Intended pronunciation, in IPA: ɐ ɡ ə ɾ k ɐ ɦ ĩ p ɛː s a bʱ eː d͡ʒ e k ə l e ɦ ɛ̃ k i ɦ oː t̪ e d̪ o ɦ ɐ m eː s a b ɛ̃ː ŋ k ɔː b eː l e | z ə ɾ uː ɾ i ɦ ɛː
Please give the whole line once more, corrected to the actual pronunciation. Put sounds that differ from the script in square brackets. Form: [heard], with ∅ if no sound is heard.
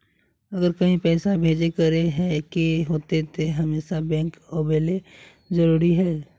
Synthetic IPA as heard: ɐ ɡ ə ɾ k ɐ ɦ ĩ p ɛː s a bʱ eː d͡ʒ e k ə [ɾ] e ɦ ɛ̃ k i ɦ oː t̪ e [t̪] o ɦ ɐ m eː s a b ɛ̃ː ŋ k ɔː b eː l e | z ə ɾ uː ɾ i ɦ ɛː